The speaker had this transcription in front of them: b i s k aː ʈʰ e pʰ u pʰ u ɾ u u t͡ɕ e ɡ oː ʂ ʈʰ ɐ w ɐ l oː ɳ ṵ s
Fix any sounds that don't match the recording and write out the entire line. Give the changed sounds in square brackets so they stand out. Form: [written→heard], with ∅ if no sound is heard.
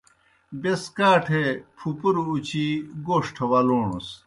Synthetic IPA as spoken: b [i→e] s k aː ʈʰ e pʰ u [pʰ→p] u ɾ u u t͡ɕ [e→i] ɡ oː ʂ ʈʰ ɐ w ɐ l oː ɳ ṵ s